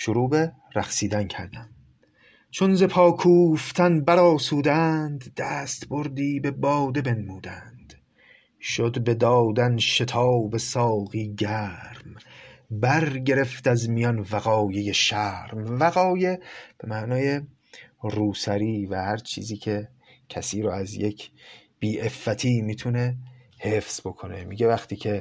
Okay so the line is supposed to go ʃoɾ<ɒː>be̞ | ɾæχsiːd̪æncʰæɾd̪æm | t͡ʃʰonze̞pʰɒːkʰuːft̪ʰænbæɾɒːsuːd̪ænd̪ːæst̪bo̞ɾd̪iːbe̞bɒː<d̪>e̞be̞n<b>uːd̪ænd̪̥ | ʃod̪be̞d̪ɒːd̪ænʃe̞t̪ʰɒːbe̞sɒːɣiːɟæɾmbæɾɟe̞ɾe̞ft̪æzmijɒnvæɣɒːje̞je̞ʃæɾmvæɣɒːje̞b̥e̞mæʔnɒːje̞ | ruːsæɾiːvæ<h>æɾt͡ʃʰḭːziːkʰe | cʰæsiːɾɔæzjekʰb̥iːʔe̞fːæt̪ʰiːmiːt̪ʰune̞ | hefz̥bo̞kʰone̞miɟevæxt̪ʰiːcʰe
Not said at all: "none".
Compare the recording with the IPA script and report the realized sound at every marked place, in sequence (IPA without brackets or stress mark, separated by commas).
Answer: uː, d̪, m, h